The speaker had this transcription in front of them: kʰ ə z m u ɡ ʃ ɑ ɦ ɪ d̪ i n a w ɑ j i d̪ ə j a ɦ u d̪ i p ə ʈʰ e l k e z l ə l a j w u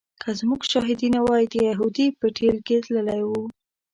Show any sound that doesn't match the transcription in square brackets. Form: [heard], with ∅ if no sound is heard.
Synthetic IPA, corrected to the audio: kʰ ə z m u ɡ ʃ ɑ ɦ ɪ d̪ i n a w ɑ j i d̪ ə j a ɦ u d̪ i p ə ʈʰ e l k e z l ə l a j w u